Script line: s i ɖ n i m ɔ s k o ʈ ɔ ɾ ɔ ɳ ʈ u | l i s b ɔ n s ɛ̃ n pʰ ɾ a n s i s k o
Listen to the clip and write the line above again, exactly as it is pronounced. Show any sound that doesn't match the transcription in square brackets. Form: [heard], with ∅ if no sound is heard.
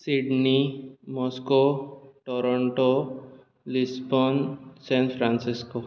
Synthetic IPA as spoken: s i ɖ n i m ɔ s k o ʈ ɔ ɾ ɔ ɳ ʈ [o] | l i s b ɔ n s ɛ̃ n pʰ ɾ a n s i s k o